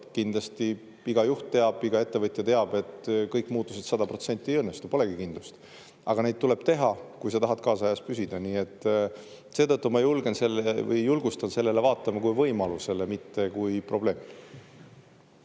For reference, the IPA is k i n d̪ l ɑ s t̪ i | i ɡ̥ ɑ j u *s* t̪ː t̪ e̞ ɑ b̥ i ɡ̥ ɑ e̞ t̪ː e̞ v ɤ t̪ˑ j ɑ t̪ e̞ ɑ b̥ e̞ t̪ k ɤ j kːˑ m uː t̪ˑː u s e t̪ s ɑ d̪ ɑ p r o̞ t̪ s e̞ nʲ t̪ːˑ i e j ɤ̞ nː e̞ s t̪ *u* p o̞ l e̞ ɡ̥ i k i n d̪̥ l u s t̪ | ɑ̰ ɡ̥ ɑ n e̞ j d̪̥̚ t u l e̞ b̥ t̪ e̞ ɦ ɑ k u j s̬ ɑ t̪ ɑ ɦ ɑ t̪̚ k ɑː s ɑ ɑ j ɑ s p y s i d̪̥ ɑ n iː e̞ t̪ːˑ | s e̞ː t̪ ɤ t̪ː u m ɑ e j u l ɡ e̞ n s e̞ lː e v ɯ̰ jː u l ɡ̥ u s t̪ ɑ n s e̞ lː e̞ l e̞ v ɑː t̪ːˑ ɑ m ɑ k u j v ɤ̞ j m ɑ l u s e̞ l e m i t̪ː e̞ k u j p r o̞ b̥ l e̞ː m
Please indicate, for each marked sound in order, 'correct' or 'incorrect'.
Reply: incorrect: h, correct

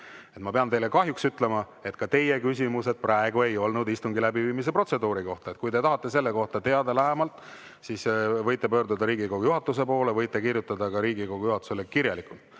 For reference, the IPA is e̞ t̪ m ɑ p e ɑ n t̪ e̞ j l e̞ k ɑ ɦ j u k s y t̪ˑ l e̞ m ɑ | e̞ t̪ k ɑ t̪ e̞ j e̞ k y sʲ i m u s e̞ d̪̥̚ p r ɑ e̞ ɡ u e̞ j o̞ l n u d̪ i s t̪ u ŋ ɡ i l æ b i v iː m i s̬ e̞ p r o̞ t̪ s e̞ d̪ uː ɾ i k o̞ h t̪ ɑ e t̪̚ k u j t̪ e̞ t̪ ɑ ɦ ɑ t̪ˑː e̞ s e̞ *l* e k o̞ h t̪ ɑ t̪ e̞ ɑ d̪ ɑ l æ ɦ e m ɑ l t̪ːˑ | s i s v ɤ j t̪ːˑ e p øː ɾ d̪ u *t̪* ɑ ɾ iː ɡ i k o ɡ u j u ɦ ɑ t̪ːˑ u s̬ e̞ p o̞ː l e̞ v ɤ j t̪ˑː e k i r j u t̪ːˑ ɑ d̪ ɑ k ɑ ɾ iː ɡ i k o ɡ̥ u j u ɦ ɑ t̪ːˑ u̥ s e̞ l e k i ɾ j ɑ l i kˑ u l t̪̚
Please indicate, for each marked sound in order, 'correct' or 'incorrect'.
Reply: incorrect: lː, incorrect: d̪

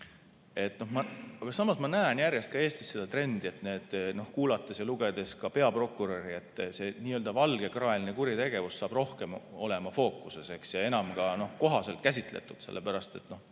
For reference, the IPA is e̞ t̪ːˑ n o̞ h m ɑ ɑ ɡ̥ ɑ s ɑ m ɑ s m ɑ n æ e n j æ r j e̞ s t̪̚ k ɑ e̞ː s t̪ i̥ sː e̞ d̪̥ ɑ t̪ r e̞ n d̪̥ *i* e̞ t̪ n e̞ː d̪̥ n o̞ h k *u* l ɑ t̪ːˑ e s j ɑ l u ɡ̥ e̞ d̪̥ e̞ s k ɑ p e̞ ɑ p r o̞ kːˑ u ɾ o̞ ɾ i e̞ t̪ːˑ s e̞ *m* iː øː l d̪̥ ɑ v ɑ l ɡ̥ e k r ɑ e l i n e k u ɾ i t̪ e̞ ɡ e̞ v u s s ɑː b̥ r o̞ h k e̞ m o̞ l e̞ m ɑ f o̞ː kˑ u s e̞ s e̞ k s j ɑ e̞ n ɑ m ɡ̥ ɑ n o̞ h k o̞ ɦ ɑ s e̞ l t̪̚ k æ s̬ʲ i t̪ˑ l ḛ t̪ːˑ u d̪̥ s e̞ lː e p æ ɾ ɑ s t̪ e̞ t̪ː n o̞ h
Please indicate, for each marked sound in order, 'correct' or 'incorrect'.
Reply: correct, incorrect: uː, incorrect: n

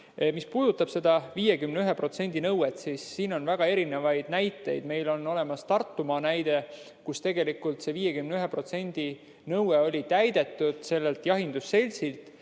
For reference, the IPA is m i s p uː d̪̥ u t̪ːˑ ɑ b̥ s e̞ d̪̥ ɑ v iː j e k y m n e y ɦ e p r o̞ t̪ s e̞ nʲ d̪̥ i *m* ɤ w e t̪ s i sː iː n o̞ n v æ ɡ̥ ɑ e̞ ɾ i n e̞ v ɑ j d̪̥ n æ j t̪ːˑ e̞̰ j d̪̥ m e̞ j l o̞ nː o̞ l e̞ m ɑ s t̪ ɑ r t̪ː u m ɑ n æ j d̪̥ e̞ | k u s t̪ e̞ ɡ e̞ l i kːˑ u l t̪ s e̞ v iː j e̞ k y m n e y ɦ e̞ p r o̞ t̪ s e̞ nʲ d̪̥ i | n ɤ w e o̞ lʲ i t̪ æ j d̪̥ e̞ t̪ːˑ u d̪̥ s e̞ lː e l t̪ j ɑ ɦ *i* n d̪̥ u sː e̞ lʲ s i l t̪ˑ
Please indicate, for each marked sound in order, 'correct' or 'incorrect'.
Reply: incorrect: n, correct

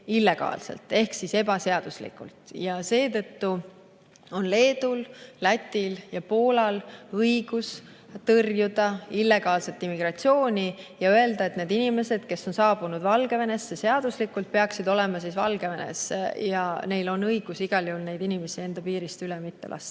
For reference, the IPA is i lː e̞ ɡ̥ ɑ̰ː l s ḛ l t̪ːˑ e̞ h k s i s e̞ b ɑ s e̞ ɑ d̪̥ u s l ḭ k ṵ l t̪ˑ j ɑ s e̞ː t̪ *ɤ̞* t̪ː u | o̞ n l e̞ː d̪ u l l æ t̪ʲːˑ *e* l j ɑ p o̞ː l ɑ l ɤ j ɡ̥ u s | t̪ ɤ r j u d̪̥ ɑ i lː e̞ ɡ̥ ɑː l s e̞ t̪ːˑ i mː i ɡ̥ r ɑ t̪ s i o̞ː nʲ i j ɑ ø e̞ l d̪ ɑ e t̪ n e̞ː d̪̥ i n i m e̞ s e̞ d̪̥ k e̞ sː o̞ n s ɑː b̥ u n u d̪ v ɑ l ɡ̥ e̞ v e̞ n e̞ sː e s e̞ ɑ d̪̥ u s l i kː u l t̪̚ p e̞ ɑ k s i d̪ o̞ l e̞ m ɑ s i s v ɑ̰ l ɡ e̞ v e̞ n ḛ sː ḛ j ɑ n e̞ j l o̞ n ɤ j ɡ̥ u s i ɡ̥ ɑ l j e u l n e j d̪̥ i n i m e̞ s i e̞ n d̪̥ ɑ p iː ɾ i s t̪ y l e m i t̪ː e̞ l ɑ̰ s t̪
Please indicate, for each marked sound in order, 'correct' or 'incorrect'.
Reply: correct, incorrect: i

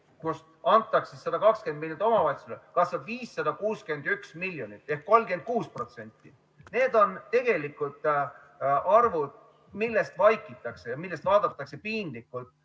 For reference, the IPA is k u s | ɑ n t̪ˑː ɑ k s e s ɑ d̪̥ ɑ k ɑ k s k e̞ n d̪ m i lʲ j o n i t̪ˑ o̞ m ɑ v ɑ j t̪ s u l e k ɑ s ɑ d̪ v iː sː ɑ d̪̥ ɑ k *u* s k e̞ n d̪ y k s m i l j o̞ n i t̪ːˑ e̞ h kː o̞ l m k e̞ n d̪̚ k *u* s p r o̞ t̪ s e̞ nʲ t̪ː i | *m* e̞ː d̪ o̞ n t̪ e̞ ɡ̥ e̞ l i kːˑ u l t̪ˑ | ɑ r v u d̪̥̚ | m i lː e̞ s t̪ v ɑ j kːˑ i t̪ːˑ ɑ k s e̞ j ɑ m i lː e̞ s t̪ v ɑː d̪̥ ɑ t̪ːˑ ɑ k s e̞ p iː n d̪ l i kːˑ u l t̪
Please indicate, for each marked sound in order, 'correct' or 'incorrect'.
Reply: incorrect: uː, incorrect: uː, incorrect: n

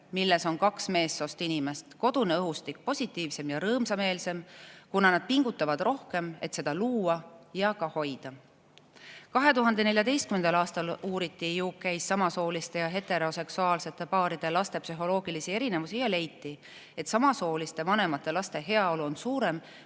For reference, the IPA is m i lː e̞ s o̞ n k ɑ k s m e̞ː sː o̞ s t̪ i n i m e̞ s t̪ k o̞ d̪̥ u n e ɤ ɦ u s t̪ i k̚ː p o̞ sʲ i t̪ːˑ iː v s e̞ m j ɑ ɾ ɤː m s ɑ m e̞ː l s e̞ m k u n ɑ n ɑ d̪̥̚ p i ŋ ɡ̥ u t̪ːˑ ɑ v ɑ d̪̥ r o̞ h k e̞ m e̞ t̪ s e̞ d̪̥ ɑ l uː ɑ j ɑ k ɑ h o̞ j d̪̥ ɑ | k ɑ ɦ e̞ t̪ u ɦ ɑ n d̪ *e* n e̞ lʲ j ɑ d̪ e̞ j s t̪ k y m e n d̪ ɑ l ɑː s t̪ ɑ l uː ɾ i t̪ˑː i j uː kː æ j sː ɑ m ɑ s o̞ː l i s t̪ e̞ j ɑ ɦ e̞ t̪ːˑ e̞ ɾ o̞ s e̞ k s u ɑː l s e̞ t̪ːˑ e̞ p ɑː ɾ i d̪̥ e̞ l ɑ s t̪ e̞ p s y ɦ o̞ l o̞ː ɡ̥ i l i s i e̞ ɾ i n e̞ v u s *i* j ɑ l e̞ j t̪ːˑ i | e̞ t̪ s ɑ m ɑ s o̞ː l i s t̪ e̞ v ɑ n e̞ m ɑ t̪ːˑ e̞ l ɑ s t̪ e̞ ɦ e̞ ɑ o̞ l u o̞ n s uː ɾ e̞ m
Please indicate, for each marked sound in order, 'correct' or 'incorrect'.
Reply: correct, correct

